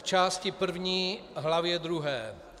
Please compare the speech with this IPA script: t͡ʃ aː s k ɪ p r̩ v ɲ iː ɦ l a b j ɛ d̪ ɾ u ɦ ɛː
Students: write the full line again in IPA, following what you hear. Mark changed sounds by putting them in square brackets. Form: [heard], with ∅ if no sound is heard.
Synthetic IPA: t͡ʃ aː s [c] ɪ p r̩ v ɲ iː ɦ l a [v] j ɛ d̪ ɾ u ɦ ɛː